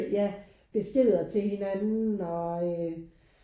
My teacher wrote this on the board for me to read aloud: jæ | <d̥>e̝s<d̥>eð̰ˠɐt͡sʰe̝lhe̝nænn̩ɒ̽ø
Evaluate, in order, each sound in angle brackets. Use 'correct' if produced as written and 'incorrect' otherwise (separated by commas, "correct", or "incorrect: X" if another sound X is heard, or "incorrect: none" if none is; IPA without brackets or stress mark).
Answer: incorrect: b̥, incorrect: ɡ̥